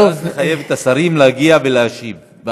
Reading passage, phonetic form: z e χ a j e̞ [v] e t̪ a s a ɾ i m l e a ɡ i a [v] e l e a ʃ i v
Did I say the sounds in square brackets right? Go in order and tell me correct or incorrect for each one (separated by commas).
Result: correct, correct